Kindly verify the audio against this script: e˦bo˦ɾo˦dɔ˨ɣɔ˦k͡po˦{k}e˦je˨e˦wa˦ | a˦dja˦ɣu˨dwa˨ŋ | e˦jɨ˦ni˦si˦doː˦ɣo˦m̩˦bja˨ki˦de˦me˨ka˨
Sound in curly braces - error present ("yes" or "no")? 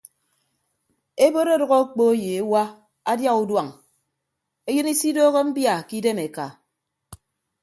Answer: yes